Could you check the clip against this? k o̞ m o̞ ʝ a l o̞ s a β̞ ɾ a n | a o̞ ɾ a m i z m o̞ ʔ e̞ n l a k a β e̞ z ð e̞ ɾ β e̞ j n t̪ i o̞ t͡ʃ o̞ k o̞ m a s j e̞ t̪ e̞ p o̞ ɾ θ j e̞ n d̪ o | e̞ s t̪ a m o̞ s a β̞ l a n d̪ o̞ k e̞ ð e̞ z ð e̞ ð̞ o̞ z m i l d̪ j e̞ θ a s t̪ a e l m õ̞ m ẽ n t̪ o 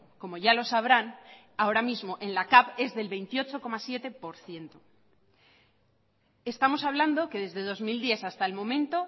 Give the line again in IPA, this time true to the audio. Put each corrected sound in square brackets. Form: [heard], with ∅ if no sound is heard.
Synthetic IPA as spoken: k o̞ m o̞ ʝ a l o̞ s a β̞ ɾ a n | a o̞ ɾ a m i z m o̞ ʔ e̞ n l a k a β e̞ z ð e̞ [l] β e̞ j n t̪ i o̞ t͡ʃ o̞ k o̞ m a s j e̞ t̪ e̞ p o̞ ɾ θ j e̞ n [t̪] o | e̞ s t̪ a m o̞ s a β̞ l a n d̪ o̞ k e̞ ð e̞ z ð e̞ ð̞ o̞ z m i l d̪ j e̞ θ a s t̪ a e l m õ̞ m ẽ n t̪ o

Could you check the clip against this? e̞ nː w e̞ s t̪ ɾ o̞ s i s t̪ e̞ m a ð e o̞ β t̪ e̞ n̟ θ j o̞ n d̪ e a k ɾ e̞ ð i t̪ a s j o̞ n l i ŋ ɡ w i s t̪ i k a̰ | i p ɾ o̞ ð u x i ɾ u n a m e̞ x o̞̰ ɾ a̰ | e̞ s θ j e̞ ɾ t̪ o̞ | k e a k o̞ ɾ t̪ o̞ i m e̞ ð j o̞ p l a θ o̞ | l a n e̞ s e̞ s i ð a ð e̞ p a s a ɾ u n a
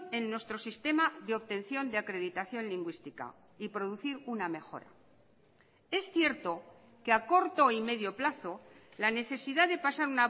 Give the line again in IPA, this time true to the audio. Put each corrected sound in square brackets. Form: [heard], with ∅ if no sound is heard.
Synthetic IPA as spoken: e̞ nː w e̞ s t̪ ɾ o̞ s i s t̪ e̞ m a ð e o̞ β t̪ e̞ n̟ θ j o̞ n d̪ e a k ɾ e̞ ð i t̪ a [θ] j o̞ n l i ŋ ɡ w i s t̪ i k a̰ | i p ɾ o̞ ð u [θ] i ɾ u n a m e̞ x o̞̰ ɾ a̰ | e̞ s θ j e̞ ɾ t̪ o̞ | k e a k o̞ ɾ t̪ o̞ i m e̞ ð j o̞ p l a θ o̞ | l a n e̞ [θ] e̞ s i ð a ð e̞ p a s a ɾ u n a

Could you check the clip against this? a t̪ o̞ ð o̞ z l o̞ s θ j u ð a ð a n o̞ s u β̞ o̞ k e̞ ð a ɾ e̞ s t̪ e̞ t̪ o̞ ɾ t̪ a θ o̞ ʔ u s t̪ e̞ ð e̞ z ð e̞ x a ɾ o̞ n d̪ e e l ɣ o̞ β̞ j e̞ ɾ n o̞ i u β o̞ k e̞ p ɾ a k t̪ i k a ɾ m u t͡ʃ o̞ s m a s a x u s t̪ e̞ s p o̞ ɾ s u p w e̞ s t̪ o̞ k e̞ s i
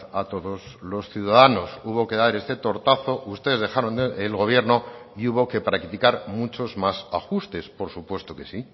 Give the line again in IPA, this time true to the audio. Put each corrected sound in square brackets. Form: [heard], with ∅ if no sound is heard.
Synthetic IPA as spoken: a t̪ o̞ ð o̞ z l o̞ s θ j u ð a ð a n o̞ s u β̞ o̞ k e̞ ð a ɾ e̞ s t̪ e̞ t̪ o̞ ɾ t̪ a θ o̞ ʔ u s t̪ e̞ ð e̞ z ð e̞ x a ɾ o̞ n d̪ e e l ɣ o̞ β̞ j e̞ ɾ n o̞ i u β o̞ k e̞ p ɾ a k t̪ i k a ɾ m u t͡ʃ o̞ [z] m a s a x u s t̪ e̞ s p o̞ ɾ s u p w e̞ s t̪ o̞ k e̞ s i

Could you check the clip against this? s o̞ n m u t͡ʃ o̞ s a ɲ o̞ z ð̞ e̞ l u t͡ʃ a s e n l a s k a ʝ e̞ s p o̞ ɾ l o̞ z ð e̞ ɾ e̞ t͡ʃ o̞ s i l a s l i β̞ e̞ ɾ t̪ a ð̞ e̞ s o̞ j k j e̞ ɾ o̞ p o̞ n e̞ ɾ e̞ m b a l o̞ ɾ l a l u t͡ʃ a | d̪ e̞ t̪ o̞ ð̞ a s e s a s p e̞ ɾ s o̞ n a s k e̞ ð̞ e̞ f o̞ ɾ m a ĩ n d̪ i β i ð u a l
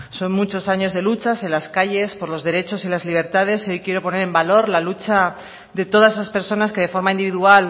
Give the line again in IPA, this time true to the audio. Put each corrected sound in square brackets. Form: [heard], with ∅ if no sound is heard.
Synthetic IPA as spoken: s o̞ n m u t͡ʃ o̞ s a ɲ o̞ z ð̞ e̞ l u t͡ʃ a s e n l a s k a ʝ e̞ s p o̞ ɾ l o̞ z ð e̞ ɾ e̞ t͡ʃ o̞ s i l a [z] l i β̞ e̞ ɾ t̪ a ð̞ e̞ s o̞ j k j e̞ ɾ o̞ p o̞ n e̞ ɾ e̞ m b a l o̞ ɾ l a l u t͡ʃ a | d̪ e̞ t̪ o̞ ð̞ a s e s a s p e̞ ɾ s o̞ n a s k e̞ ð̞ e̞ f o̞ ɾ m a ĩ n d̪ i β i ð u a l

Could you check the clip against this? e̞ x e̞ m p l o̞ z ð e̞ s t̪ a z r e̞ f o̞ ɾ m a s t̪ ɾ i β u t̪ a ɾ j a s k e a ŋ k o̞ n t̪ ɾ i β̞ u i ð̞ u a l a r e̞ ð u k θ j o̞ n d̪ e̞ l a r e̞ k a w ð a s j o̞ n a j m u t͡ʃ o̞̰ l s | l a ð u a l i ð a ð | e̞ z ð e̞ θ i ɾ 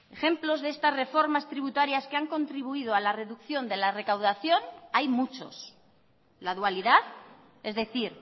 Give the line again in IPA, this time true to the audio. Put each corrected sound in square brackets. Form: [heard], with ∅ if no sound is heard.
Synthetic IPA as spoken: e̞ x e̞ m p l o̞ z ð e̞ s t̪ a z r e̞ f o̞ ɾ m a s t̪ ɾ i β u t̪ a ɾ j a s k e a ŋ k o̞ n t̪ ɾ i β̞ u i ð̞ [o] a l a r e̞ ð u k θ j o̞ n d̪ e̞ l a r e̞ k a w ð a [θ] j o̞ n a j m u t͡ʃ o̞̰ [∅] s | l a ð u a l i ð a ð | e̞ z ð e̞ θ i ɾ

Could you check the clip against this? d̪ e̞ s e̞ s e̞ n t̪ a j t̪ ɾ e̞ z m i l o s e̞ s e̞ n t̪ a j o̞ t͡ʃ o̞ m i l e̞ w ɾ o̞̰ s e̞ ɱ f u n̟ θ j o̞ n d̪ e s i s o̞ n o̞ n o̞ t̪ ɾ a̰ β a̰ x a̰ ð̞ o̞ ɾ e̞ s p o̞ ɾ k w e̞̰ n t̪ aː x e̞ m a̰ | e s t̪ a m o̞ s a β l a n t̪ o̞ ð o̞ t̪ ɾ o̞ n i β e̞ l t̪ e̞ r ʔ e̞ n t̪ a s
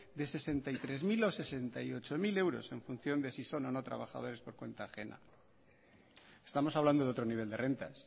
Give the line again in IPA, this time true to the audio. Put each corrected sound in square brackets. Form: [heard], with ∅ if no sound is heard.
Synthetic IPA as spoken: d̪ e̞ s e̞ s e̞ n t̪ a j t̪ ɾ e̞ z m i l o s e̞ s e̞ n t̪ a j o̞ t͡ʃ o̞ m i l e̞ w ɾ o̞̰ s e̞ ɱ f u n̟ θ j o̞ n d̪ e s i s o̞ n o̞ n o̞ t̪ ɾ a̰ β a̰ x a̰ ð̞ o̞ ɾ e̞ s p o̞ ɾ k w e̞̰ n t̪ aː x e̞ [n] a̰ | e s t̪ a m o̞ s a β l a n [d̪] o̞ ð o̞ t̪ ɾ o̞ n i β e̞ l [d̪] e̞ r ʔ e̞ n t̪ a s

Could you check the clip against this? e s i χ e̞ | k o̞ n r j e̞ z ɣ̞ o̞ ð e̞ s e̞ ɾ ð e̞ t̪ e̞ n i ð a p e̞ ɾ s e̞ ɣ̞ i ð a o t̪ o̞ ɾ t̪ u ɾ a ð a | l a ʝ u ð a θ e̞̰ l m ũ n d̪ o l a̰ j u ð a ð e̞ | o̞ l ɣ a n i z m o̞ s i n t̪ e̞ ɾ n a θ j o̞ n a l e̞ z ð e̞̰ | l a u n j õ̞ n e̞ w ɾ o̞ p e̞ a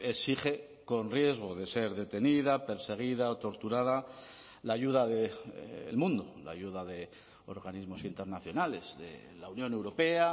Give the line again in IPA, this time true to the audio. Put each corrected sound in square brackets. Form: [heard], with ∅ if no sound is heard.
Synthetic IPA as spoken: e s i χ e̞ | k o̞ n r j e̞ z ɣ̞ o̞ ð e̞ s e̞ ɾ ð e̞ t̪ e̞ n i ð a p e̞ ɾ s e̞ ɣ̞ i ð a o t̪ o̞ ɾ t̪ u ɾ a ð a | l a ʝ u ð a [ð] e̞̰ l m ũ n d̪ o l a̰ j u ð a ð e̞ | o̞ [ɾ] ɣ a n i z m o̞ s i n t̪ e̞ ɾ n a θ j o̞ n a l e̞ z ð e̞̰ | l a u n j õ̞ n e̞ w ɾ o̞ p e̞ a

